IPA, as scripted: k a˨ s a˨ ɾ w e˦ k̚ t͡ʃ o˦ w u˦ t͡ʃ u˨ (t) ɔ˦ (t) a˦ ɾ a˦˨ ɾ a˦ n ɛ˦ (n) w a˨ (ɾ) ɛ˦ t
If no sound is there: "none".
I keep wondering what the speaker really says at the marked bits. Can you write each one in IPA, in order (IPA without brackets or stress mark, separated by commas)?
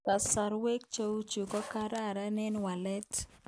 k, k, n, l